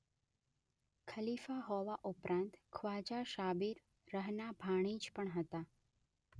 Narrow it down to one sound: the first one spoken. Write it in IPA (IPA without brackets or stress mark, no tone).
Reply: kʰ